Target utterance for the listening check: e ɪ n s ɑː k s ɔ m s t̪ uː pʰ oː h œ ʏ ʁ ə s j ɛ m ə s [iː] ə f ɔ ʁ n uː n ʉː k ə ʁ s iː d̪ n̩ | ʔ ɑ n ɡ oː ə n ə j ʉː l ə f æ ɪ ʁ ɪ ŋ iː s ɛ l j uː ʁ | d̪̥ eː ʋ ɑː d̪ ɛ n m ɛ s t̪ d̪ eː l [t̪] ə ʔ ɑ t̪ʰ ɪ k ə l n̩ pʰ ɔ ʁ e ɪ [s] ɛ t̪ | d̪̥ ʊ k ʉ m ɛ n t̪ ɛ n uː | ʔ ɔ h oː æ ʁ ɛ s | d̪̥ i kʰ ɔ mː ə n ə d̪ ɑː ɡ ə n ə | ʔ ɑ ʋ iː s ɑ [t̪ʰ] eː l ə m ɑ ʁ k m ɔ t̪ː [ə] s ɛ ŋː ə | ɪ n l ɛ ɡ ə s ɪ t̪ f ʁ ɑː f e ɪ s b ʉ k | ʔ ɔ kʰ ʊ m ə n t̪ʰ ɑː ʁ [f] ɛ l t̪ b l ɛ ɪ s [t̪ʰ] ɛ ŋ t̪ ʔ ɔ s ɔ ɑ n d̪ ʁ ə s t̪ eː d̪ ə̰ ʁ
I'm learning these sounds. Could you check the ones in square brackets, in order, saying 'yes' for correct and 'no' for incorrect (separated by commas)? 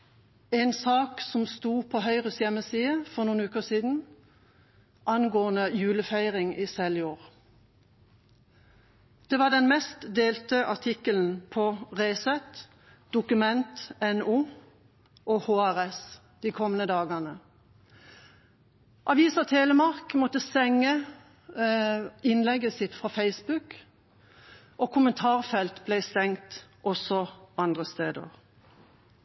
yes, yes, yes, yes, yes, yes, no